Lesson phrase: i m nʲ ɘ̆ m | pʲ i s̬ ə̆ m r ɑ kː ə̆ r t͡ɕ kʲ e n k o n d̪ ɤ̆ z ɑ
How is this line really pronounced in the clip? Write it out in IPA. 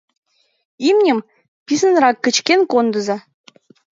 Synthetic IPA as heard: i m nʲ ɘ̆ m | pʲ i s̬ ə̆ n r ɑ kː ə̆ t͡ɕ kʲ e n k o n d̪ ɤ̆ z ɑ